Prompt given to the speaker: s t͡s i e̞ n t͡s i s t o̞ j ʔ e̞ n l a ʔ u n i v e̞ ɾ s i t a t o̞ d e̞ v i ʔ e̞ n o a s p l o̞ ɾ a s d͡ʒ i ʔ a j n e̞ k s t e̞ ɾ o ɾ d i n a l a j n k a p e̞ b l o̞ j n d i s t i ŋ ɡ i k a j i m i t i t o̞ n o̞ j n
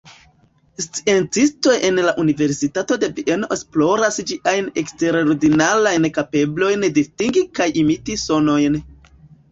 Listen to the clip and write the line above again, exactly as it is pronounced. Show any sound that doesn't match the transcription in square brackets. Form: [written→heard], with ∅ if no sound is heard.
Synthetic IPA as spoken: s t͡s i e̞ n t͡s i s t o̞ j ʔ e̞ n l a ʔ u n i v e̞ ɾ s i t a t o̞ d e̞ v i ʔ e̞ n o [a→e] s p l o̞ ɾ a s d͡ʒ i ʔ a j n e̞ k s t e̞ ɾ o ɾ d i n a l a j n k a p e̞ b l o̞ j n d i s t i ŋ ɡ i k a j i m i t i [t→s] o̞ n o̞ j n